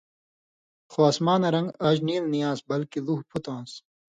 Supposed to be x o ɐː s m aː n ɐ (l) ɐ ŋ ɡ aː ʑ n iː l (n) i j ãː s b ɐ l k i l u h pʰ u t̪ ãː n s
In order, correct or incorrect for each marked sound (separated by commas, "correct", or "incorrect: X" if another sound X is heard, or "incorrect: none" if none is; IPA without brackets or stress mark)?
incorrect: ɾ, correct